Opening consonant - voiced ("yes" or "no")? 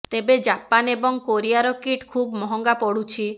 no